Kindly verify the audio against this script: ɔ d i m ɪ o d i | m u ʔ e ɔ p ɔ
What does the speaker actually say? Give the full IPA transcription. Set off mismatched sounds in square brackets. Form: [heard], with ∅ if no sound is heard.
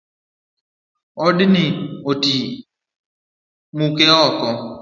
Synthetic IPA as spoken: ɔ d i [n] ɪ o [t] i | m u [k] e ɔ [k] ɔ